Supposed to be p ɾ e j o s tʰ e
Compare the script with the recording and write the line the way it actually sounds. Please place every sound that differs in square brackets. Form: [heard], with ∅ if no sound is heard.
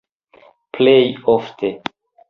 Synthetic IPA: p [l] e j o [f] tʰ e